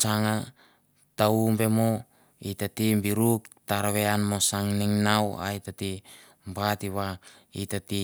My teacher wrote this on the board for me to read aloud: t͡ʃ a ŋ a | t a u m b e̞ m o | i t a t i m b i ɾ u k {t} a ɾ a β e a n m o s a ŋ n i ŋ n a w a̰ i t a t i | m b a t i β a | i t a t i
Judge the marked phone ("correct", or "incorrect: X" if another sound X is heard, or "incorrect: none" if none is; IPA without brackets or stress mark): correct